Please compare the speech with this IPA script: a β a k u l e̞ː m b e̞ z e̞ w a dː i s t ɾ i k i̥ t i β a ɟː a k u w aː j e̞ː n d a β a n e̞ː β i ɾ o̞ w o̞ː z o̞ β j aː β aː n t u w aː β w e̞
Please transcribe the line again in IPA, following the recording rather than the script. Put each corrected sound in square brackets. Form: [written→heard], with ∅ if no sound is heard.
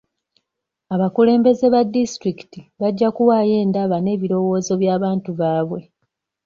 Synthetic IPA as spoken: a β a k u l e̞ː m b e̞ z e̞ [w→β] a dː i s t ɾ i k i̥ t i β a ɟː a k u w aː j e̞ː n d a β a n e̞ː β i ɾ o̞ w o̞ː z o̞ β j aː β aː n t u [w→β] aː β w e̞